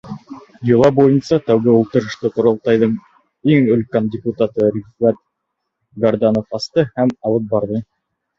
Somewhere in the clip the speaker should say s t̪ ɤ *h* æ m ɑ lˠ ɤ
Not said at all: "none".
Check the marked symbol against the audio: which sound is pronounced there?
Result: h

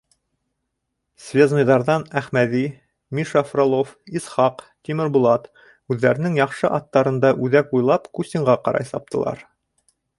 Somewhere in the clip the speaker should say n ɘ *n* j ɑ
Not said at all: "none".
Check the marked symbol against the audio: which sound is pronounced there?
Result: ŋ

